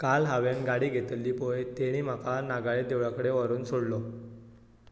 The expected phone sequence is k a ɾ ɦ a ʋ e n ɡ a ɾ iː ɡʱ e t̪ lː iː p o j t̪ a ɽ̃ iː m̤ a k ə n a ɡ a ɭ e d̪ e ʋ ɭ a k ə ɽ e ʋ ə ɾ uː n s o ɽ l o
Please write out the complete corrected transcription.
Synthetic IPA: k a l ɦ a ʋ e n ɡ a ɽ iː ɡʱ e t̪ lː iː p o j t̪ e ɽ̃ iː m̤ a k a n a ɡ a ɭ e d̪ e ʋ ɭ a k ə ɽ e ʋ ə ɾ uː n s o ɽ l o